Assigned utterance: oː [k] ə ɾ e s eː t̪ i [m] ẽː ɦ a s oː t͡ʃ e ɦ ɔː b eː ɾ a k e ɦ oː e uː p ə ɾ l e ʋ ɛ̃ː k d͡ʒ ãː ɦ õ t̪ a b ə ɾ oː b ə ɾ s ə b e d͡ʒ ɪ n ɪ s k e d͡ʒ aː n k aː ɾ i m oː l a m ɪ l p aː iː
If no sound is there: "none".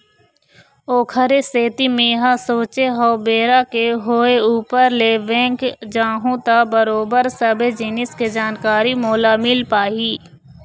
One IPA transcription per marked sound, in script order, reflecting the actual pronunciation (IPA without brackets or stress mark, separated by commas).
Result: kʰ, m